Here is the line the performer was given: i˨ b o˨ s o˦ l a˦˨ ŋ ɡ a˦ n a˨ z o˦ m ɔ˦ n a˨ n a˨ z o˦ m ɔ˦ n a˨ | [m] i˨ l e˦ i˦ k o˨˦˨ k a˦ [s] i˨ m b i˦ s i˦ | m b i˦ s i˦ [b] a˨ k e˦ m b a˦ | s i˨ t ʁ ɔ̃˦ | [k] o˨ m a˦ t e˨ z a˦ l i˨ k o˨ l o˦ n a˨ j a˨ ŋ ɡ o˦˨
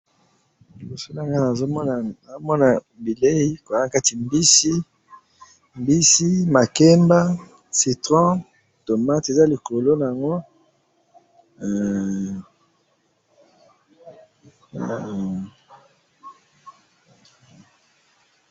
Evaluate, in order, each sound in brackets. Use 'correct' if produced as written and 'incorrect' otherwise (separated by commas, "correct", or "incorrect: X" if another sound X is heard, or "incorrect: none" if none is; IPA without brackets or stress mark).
incorrect: b, incorrect: t, incorrect: m, incorrect: t